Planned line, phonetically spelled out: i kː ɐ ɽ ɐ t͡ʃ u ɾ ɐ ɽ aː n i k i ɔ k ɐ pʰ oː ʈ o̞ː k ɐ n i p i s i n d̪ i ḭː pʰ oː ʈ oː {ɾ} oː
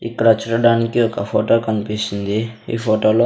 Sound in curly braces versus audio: incorrect: l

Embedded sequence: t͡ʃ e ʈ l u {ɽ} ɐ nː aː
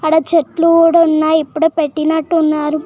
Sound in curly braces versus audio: correct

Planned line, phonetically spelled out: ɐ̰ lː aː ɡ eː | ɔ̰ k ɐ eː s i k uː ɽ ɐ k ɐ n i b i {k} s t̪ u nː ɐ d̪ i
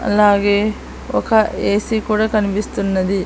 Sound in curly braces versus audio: incorrect: none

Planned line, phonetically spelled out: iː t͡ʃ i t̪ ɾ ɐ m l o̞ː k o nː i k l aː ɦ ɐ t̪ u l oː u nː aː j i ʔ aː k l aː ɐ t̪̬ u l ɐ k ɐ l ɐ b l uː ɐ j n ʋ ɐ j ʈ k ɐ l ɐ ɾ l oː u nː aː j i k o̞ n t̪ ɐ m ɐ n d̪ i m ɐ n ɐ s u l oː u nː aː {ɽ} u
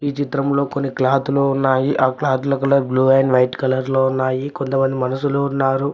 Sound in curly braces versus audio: incorrect: ɾ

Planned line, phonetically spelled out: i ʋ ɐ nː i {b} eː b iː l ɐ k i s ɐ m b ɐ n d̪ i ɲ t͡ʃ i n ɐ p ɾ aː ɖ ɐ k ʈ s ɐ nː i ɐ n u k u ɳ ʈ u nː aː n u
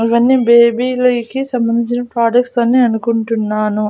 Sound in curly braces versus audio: correct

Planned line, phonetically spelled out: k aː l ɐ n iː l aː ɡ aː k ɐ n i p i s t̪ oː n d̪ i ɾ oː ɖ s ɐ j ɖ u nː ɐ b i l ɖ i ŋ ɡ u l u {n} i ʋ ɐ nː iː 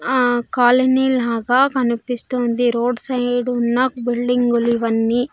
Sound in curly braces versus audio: incorrect: none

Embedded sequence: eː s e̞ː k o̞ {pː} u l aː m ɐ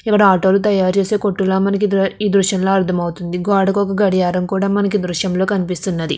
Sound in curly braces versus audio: incorrect: ʈː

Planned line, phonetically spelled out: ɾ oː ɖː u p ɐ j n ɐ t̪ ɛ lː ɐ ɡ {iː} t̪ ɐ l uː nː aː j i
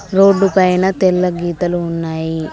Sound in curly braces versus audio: correct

